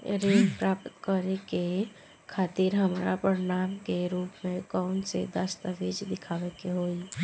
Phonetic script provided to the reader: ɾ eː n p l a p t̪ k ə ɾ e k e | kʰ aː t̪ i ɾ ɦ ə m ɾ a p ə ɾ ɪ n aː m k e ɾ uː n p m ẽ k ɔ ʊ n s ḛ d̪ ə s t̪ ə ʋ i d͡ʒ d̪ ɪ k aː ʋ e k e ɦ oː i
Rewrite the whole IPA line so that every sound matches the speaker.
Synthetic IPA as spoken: ɾ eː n p ɾ a p t̪ k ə ɾ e k e | kʰ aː t̪ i ɾ ɦ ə m ɾ a p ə ɾ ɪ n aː m k e ɾ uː p m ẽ k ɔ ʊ n s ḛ d̪ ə s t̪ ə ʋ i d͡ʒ d̪ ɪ kʰ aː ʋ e k e ɦ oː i